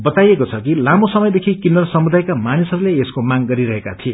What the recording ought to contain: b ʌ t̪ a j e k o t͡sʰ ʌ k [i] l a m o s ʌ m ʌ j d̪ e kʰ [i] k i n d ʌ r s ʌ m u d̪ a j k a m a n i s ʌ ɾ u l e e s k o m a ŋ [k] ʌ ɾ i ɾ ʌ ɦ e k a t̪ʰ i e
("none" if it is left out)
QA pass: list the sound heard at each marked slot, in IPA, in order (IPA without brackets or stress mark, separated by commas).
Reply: i, i, ɡ